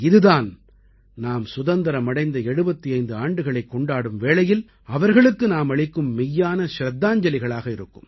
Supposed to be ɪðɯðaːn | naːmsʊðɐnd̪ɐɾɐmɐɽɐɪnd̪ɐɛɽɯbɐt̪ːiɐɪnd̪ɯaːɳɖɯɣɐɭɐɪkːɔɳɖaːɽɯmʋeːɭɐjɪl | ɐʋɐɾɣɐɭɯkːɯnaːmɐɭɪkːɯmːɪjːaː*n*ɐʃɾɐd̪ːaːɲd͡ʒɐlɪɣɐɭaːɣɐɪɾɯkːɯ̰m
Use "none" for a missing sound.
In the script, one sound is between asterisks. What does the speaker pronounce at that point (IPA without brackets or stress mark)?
n